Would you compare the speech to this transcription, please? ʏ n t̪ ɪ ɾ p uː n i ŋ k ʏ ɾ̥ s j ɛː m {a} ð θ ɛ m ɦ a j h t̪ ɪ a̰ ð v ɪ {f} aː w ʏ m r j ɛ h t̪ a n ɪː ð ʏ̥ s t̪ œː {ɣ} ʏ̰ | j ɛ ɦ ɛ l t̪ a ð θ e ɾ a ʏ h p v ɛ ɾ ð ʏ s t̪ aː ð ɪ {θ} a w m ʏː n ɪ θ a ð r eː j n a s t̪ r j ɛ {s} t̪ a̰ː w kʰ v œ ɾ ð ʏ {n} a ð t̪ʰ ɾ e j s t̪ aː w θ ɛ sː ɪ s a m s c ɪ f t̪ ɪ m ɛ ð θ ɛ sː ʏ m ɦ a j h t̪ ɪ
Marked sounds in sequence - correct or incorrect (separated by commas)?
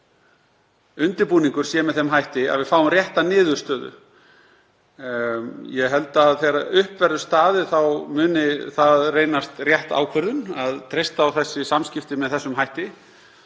incorrect, correct, incorrect, correct, incorrect, correct